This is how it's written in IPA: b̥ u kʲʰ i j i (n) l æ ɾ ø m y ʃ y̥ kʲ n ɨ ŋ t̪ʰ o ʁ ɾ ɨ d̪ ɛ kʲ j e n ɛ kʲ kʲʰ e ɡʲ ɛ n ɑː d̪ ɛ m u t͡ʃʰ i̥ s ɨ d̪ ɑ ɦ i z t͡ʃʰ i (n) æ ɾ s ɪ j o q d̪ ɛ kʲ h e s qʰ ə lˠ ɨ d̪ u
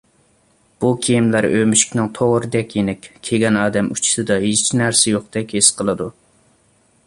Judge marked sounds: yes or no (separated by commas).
no, yes